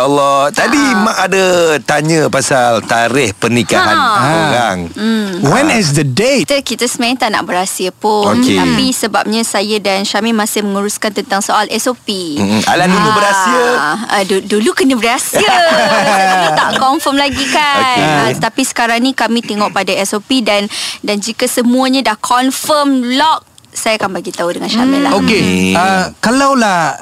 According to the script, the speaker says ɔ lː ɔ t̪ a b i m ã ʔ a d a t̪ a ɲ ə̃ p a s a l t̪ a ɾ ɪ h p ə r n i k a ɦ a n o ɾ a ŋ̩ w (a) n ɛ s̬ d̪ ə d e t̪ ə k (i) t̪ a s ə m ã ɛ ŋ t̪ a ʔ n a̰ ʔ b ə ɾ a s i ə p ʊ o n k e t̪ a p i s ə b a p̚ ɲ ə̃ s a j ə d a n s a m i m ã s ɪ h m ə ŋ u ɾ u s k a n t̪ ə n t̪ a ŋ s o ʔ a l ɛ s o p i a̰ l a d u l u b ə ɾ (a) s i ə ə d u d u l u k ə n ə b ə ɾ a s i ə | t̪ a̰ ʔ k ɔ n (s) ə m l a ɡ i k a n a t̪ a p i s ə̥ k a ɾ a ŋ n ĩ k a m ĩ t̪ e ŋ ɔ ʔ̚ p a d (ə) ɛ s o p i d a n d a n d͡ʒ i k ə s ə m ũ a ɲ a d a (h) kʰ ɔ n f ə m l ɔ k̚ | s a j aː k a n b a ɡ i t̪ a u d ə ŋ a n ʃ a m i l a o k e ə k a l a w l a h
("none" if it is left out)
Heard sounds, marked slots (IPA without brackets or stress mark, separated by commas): ɛ, i, a, f, a, h